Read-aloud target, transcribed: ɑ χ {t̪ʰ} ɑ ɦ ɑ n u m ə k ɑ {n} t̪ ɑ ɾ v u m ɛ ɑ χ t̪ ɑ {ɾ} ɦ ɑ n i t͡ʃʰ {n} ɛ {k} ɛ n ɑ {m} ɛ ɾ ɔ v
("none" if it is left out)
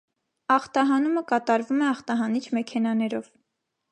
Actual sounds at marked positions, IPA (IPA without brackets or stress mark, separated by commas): t̪, none, none, m, kʰ, n